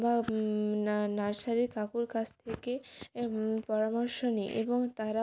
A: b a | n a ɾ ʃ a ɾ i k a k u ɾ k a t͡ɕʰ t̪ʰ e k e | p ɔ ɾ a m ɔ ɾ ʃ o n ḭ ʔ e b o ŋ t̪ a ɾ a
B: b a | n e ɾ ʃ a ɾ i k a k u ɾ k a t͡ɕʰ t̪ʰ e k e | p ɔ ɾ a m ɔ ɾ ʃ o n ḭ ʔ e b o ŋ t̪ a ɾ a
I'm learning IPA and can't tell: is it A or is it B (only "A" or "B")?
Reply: A